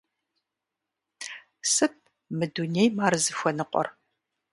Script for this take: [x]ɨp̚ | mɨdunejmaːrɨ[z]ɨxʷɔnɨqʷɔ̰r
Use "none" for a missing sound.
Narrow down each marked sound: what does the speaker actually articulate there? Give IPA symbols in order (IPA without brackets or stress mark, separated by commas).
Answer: s, z